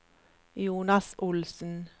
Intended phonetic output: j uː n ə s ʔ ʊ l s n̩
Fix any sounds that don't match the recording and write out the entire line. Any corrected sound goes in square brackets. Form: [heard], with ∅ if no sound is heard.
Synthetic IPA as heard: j uː n [ɑ] s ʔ ʊ l s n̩